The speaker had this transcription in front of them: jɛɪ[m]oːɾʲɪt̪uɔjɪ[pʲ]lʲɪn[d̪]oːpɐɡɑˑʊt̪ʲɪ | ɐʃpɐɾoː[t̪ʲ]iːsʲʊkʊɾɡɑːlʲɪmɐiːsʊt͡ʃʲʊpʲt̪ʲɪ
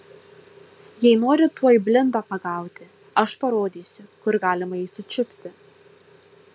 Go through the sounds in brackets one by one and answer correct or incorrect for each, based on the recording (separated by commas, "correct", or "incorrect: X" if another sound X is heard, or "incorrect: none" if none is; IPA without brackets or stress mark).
incorrect: n, incorrect: bʲ, correct, incorrect: d̪ʲ